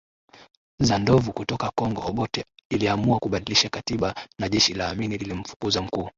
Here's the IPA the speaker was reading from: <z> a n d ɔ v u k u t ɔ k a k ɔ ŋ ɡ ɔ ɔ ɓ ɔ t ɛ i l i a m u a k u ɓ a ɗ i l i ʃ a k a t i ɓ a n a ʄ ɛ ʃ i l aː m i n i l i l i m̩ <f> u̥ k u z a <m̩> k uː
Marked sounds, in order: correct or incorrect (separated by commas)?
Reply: correct, correct, correct